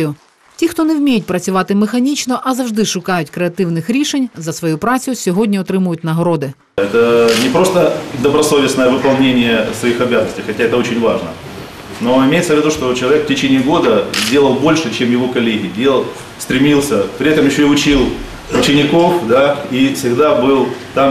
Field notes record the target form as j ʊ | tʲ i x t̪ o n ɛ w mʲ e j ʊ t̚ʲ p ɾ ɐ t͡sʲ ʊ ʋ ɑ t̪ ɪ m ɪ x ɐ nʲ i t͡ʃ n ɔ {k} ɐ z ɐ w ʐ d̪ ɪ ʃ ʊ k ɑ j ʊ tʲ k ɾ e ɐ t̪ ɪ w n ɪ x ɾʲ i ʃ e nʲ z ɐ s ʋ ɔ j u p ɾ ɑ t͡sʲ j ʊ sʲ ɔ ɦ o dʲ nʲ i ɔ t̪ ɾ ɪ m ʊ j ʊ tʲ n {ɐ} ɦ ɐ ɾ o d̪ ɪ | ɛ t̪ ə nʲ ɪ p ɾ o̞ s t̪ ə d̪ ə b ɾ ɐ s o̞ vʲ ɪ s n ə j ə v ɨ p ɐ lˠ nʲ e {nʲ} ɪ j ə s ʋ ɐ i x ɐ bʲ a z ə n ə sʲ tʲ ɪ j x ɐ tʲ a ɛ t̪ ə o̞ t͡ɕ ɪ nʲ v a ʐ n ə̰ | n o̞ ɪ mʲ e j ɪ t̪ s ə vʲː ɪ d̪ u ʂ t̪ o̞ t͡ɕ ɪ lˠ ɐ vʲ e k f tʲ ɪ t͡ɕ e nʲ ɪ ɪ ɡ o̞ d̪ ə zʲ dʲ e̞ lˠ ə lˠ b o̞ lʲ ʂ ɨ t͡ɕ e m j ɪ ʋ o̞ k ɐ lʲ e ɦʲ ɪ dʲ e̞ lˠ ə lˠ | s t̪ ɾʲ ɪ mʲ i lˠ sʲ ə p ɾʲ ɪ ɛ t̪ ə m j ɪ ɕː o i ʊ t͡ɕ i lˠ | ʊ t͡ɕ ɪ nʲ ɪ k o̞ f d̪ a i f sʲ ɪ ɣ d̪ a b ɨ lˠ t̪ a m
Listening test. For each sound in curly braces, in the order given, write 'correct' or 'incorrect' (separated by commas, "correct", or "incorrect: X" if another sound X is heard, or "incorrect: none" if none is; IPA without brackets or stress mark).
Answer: incorrect: ʔ, correct, correct